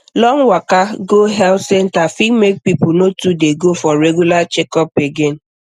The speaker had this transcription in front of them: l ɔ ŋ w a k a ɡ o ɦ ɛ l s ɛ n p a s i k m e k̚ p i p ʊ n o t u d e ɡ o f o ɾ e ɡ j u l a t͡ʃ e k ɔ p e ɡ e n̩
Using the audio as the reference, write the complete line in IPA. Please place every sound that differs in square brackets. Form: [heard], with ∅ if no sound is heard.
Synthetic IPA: l ɔ ŋ w a k a ɡ o ɦ ɛ l s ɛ n [t] a [f] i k m e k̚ p i p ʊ n o t u d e ɡ o f [ɔ] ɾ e ɡ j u l a t͡ʃ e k ɔ p e ɡ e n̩